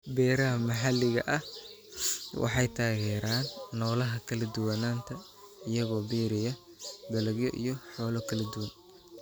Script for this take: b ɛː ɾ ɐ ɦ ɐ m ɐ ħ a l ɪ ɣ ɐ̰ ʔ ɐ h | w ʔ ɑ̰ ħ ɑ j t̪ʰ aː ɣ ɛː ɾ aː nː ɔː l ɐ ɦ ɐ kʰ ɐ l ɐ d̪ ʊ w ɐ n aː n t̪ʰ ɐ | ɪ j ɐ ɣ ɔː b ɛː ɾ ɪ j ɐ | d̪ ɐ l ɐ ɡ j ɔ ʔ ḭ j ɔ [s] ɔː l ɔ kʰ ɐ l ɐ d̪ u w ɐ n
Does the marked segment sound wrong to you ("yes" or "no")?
yes